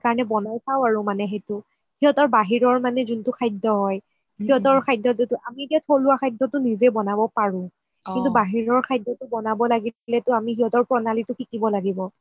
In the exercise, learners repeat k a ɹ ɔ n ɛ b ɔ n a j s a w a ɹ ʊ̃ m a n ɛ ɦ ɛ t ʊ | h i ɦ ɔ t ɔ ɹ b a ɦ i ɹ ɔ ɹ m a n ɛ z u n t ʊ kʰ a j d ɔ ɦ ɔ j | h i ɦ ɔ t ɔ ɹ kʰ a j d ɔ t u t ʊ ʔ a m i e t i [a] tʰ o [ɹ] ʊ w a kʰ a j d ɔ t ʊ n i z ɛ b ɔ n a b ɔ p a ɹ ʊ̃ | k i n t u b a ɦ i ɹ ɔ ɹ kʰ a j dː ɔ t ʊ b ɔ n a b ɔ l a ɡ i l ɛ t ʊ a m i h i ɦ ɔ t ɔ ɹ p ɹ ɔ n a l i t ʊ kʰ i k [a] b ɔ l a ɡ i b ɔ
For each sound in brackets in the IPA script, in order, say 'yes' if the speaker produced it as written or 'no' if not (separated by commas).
yes, no, no